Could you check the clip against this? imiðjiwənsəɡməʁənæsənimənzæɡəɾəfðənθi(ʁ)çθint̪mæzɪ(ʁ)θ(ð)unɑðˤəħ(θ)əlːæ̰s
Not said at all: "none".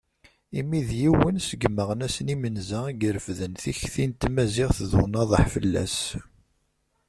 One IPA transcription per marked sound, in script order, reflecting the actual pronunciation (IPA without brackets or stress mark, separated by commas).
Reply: none, ʁ, ð, f